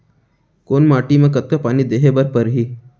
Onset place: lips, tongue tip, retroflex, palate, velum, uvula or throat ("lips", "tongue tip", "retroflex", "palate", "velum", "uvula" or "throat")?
velum